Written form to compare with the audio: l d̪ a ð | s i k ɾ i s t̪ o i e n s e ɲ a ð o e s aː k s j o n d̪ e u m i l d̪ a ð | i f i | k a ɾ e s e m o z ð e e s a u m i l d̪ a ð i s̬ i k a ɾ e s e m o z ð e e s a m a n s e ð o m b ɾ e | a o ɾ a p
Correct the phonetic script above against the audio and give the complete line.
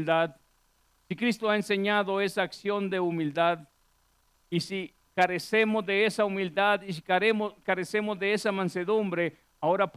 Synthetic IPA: l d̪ a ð | s i k ɾ i s t̪ o a e n s e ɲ a ð o e s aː k s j o n d̪ e u m i l d̪ a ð | i s i | k a ɾ e s e m o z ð e e s a u m i l d̪ a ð i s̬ i k a ɾ e s e m o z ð e e s a m a n s e ð u m b ɾ e | a o ɾ a p